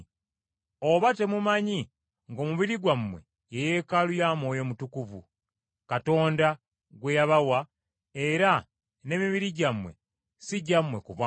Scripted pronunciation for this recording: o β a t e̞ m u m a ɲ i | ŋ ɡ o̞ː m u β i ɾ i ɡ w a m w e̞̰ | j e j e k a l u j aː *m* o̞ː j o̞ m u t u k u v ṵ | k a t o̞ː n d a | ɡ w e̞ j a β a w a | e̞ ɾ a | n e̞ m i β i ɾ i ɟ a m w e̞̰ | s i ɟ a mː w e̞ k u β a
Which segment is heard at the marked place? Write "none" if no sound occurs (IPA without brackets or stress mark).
m